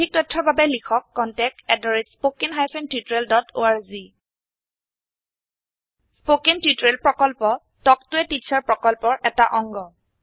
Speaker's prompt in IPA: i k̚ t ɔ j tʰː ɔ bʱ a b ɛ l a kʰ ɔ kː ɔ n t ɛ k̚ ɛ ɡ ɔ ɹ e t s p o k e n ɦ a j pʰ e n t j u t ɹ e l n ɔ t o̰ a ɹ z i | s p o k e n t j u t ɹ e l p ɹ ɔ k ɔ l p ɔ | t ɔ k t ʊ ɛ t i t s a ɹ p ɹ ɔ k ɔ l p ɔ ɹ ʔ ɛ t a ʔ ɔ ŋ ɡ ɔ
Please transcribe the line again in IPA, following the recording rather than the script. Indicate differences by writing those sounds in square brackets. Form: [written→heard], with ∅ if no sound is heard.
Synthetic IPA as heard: i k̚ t ɔ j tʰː ɔ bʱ a b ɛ l [a→i] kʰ ɔ kː ɔ n t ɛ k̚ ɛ [ɡ→d] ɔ ɹ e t s p o k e n ɦ a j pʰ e n t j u t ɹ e l [n→d] ɔ t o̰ a ɹ z i | s p o k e n t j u t ɹ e l p ɹ ɔ k ɔ l p ɔ | t ɔ k t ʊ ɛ t i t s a ɹ p ɹ ɔ k ɔ l p ɔ ɹ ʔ ɛ t a ʔ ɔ ŋ ɡ ɔ

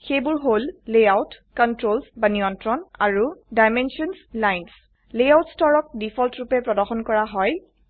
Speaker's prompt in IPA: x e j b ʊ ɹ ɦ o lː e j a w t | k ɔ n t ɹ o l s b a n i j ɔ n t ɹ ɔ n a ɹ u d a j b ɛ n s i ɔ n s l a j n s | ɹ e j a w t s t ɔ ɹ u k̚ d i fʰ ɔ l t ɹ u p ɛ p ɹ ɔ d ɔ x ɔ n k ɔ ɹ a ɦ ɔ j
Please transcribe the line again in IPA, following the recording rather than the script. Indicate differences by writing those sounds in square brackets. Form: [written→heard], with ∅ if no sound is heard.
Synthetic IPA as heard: x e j b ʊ ɹ ɦ o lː e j a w t | k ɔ n t ɹ o l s b a n i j ɔ n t ɹ ɔ n a ɹ u d a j [b→m] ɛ n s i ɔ n s l a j n s | [ɹ→l] e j a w t s t ɔ ɹ [u→ɔ] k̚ d i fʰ ɔ l t ɹ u p ɛ p ɹ ɔ d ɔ x ɔ n k ɔ ɹ a ɦ ɔ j

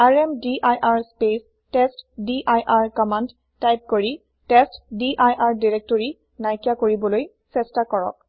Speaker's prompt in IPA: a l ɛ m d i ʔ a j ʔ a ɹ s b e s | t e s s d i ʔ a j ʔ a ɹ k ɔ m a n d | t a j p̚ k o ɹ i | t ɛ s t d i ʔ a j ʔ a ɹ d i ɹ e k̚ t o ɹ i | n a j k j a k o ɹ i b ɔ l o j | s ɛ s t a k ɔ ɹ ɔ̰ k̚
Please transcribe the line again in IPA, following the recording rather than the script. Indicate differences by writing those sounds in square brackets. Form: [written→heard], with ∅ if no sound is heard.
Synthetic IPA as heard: a [l→ɹ] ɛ m d i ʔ a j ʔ a ɹ s [b→p] e s | t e s [s→t] d i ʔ a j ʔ a ɹ k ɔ m a n d | t a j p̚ k o ɹ i | t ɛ s t d i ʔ a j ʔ a ɹ d i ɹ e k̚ t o ɹ i | n a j k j a k o ɹ i b ɔ l o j | s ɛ s t a k ɔ ɹ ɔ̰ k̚

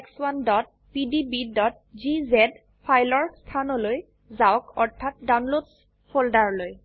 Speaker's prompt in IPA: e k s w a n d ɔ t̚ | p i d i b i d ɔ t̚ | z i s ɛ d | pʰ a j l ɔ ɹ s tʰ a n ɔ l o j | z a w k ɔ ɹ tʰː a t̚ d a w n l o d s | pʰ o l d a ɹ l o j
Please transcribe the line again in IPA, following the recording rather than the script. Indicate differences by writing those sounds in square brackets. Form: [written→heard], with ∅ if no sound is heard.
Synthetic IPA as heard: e k s w a n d ɔ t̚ | p i d i b i d ɔ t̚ | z i [s→z] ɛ d | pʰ a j l ɔ ɹ s tʰ a n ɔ l o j | z a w k ɔ ɹ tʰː a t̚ d a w n l o d s | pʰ o l d a ɹ l o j

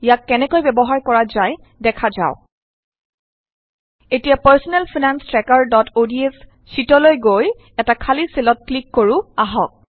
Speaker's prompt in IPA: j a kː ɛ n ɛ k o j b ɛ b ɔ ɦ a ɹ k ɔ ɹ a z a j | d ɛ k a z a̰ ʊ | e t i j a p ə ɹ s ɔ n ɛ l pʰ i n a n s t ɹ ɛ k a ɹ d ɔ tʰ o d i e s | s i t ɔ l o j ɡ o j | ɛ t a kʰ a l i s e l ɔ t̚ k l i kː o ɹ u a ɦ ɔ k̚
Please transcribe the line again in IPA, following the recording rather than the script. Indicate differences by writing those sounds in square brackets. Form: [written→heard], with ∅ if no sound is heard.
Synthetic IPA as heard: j a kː ɛ n ɛ k o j b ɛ b ɔ ɦ a ɹ k ɔ ɹ a z a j | d ɛ [k→kʰ] a z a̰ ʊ | e t i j a p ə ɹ s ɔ n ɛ l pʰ i n a n s t ɹ ɛ k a ɹ d ɔ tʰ o d i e s | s i t ɔ l o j ɡ o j | ɛ t a kʰ a l i s e l ɔ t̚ k l i kː o ɹ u a ɦ ɔ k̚

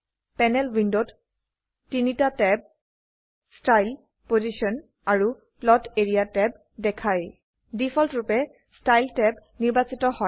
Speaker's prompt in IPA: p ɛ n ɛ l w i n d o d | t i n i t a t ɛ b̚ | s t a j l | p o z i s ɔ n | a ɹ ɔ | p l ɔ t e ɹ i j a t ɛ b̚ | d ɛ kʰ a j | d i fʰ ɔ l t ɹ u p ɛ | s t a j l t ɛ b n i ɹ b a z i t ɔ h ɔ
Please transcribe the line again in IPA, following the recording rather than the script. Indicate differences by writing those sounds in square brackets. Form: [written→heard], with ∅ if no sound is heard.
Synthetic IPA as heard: p ɛ n ɛ l w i n d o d | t i n i t a t ɛ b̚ | s t a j l | p o z i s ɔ n | a ɹ [ɔ→u] | p l ɔ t e ɹ i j a t ɛ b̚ | d ɛ kʰ a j | d i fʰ ɔ l t ɹ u p ɛ | s t a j l t ɛ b n i ɹ b a [z→s] i t ɔ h ɔ

